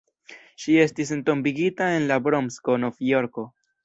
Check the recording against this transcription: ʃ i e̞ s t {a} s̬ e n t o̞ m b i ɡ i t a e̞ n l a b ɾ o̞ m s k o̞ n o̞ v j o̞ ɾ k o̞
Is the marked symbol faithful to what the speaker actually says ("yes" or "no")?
no